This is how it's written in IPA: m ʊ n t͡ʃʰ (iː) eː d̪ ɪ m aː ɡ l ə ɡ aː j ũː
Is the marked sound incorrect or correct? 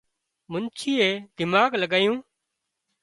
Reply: correct